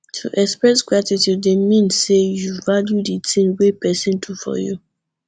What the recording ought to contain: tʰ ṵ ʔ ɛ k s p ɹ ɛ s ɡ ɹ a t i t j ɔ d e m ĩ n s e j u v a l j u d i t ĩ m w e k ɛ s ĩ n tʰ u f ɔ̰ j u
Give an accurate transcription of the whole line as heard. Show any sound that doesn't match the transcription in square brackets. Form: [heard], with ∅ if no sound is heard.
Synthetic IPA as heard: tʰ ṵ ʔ ɛ k s p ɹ ɛ s ɡ ɹ a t i t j [u] d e m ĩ n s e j u v a l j u d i t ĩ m w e [p] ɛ s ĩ n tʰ u f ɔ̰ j u